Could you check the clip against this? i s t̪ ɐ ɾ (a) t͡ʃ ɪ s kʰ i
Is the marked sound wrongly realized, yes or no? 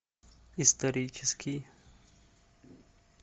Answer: yes